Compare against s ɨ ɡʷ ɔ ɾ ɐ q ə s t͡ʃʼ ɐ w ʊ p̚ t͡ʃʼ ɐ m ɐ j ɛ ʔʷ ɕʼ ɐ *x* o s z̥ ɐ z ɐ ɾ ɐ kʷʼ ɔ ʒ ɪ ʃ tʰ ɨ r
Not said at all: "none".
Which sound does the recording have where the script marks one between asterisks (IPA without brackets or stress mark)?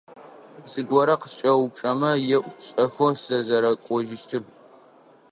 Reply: x